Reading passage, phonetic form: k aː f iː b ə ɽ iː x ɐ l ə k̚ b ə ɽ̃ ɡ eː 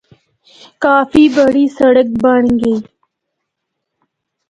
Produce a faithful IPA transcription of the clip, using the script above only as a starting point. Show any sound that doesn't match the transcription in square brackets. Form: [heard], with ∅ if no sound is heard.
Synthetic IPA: k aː f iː b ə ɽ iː [s] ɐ [ɽ] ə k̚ b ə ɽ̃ ɡ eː